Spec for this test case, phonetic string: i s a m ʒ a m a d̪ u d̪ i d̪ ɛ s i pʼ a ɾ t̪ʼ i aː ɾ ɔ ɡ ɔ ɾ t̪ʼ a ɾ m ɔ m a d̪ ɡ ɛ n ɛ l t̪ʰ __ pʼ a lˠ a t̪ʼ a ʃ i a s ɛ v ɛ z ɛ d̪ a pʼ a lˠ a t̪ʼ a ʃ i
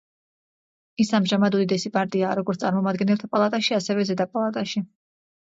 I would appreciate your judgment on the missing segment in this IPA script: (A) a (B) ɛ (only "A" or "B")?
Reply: A